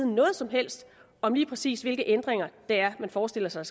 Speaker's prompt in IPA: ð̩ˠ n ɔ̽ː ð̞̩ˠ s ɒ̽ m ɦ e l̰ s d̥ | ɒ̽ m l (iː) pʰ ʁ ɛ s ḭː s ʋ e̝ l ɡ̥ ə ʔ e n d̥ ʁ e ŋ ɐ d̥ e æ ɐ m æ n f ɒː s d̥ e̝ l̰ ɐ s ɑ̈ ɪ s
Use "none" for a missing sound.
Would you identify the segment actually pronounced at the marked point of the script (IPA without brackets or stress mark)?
iː